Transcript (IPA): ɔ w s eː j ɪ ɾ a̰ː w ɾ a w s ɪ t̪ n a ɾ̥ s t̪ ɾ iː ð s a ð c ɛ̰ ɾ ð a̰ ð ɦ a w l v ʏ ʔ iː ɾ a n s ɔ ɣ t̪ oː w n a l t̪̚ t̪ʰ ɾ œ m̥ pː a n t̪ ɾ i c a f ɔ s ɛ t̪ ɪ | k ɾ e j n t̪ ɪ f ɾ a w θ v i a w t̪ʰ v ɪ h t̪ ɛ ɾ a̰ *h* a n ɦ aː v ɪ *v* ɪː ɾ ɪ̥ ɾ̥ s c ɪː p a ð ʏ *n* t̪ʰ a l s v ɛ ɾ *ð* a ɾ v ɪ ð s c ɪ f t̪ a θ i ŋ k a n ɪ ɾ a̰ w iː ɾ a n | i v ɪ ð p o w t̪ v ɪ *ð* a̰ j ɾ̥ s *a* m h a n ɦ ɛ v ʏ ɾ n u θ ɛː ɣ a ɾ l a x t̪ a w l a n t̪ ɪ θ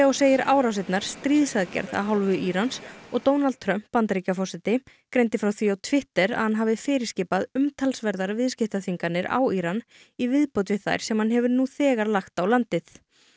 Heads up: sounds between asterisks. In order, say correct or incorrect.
correct, incorrect: f, incorrect: m, correct, incorrect: θ, incorrect: ɛ

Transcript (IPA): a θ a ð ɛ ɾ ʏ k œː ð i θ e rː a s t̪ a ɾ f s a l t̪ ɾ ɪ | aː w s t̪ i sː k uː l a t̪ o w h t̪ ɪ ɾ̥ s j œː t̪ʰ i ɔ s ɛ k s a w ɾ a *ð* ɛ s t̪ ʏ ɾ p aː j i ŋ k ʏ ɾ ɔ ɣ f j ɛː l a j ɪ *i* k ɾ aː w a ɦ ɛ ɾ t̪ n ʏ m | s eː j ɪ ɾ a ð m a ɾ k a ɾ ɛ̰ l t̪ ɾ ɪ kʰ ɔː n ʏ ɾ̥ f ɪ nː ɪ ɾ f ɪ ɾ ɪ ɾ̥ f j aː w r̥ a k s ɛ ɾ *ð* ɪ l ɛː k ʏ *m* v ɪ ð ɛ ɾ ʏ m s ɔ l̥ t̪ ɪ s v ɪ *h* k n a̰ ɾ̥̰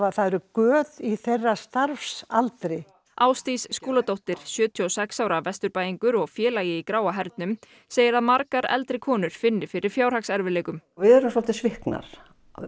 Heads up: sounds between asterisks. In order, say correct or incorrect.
incorrect: v, correct, incorrect: v, correct, correct

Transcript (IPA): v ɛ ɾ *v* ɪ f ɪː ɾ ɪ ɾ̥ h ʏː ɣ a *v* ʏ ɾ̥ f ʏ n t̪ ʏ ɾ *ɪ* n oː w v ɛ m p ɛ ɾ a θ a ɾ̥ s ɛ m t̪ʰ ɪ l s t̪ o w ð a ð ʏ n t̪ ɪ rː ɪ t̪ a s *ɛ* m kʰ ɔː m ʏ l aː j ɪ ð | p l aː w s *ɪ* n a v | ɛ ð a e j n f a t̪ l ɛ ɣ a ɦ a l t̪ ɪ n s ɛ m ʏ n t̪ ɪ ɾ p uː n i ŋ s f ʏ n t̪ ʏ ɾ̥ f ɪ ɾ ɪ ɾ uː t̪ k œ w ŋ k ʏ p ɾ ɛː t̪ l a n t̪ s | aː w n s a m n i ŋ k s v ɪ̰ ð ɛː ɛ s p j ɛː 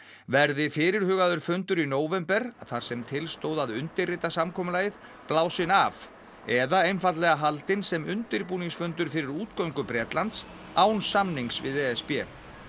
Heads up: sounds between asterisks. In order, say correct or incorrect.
incorrect: ð, incorrect: ð, incorrect: i, incorrect: a, correct

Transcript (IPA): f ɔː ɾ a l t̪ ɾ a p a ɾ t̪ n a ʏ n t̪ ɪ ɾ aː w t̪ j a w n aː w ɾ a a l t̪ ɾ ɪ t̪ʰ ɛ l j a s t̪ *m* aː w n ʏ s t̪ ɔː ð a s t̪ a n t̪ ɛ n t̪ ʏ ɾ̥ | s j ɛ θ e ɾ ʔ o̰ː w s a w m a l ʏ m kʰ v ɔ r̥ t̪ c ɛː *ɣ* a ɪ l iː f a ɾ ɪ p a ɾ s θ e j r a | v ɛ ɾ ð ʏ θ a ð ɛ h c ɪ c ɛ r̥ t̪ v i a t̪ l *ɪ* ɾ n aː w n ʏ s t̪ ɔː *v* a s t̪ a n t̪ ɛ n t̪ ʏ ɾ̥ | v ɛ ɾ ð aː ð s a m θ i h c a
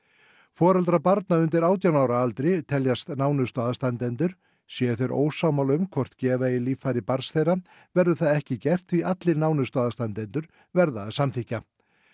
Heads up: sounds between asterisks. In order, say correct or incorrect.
incorrect: n, incorrect: v, correct, incorrect: ð

